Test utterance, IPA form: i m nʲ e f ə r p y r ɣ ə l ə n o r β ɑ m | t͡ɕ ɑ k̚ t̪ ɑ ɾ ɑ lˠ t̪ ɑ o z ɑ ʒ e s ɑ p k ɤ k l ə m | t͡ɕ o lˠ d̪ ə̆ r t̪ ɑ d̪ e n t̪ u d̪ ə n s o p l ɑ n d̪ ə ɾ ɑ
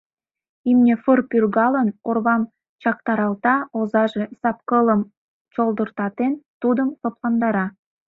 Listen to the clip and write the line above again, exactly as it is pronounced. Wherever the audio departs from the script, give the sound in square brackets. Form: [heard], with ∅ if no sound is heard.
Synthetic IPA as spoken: i m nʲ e f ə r p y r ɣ [ɑ] l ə n o r β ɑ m | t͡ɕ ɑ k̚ t̪ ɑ ɾ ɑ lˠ t̪ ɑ o z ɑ ʒ e s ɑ p k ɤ [∅] l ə m | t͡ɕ o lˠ d̪ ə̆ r t̪ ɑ [t̪] e n t̪ u d̪ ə [m] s o p l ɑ n d̪ [ɑ] ɾ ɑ

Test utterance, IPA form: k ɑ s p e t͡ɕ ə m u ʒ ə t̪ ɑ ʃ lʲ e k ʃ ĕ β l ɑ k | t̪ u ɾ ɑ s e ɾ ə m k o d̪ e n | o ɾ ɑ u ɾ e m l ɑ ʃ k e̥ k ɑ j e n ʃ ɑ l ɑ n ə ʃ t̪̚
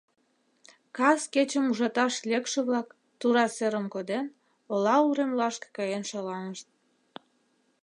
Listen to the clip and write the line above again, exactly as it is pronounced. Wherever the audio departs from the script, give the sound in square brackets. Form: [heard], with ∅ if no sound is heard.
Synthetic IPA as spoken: k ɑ s [k] e t͡ɕ ə m u ʒ [ɑ] t̪ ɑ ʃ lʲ e k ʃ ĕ β l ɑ k | t̪ u ɾ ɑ s e ɾ ə m k o d̪ e n | o [l] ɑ u ɾ e m l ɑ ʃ k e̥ k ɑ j e n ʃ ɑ l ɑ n ə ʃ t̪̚

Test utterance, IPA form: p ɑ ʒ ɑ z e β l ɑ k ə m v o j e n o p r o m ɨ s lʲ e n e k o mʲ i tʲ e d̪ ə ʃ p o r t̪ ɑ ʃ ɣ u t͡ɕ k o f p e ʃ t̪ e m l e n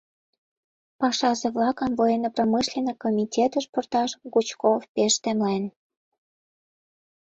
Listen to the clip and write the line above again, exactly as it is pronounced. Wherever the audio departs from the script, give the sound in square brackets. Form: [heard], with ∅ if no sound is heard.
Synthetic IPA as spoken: p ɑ [ʃ] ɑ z e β l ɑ k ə m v o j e n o p r o m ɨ [ʃ] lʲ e n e k o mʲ i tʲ e [t̪] ə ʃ p o r t̪ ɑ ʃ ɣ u t͡ɕ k o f p e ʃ t̪ e m l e n

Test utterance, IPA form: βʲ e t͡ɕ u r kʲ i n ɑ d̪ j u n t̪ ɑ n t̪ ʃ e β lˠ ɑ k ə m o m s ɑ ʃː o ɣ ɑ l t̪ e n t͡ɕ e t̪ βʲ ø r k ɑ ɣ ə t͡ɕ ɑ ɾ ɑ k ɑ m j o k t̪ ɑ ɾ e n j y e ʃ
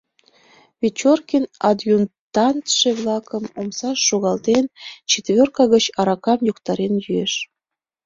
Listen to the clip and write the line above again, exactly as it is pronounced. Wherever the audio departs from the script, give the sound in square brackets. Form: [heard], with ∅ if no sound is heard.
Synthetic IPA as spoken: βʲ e t͡ɕ [o] r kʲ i n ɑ d̪ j u n t̪ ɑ n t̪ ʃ e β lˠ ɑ k ə m o m s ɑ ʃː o ɣ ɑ l t̪ e n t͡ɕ e t̪ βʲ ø r k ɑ ɣ ə t͡ɕ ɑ ɾ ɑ k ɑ m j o k t̪ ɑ ɾ e n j y e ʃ

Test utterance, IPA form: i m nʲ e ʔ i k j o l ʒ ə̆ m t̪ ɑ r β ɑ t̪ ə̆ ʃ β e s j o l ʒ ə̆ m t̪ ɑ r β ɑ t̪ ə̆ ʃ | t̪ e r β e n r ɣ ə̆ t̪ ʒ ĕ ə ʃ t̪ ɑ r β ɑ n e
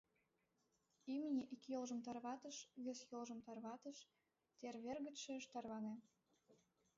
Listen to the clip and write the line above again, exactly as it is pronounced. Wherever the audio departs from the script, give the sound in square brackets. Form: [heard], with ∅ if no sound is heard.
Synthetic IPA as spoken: i m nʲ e ʔ i k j o l ʒ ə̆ m t̪ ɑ r β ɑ t̪ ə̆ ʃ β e s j o l ʒ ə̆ m t̪ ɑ r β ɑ t̪ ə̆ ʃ | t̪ e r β e [∅] r ɣ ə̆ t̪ [ʃ] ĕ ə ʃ t̪ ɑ r β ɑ n e

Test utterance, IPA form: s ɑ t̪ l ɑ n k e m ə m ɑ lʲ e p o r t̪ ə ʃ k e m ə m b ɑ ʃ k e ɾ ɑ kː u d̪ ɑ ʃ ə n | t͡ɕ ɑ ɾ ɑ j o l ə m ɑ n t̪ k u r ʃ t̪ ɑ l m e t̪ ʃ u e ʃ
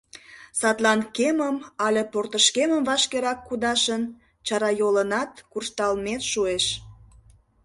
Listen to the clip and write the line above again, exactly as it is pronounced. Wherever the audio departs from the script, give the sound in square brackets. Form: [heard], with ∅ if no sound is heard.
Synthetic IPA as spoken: s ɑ t̪ l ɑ n k e m ə m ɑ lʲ e p o r t̪ ə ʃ k e m ə m [v] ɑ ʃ k e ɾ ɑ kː u d̪ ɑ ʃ ə n | t͡ɕ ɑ ɾ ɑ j o l ə [n] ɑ [∅] t̪ k u r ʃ t̪ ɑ l m e t̪ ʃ u e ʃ

